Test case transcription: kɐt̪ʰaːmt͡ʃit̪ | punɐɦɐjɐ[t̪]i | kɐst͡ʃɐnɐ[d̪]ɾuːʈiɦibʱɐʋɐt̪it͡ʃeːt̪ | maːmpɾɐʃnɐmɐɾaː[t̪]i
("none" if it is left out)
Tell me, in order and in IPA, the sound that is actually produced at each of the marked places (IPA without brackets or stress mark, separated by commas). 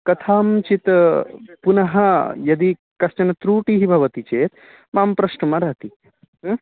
d̪, t̪, t̪